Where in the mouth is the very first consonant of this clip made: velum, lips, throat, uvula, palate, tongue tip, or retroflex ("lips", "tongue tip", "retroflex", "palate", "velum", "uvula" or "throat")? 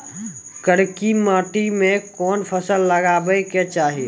velum